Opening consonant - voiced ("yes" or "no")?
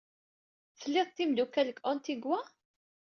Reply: no